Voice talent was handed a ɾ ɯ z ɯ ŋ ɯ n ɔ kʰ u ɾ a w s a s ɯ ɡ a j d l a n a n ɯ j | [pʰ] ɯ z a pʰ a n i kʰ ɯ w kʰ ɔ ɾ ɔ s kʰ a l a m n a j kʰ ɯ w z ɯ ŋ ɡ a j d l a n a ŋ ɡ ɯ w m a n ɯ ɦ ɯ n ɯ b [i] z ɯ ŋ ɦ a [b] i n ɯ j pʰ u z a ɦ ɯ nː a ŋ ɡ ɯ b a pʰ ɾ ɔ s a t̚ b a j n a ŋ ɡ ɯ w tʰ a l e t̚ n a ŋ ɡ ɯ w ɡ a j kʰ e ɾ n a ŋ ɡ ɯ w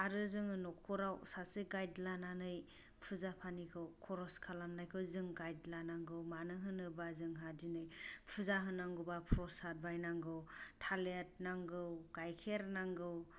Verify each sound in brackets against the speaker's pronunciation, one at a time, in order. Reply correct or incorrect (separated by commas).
correct, incorrect, incorrect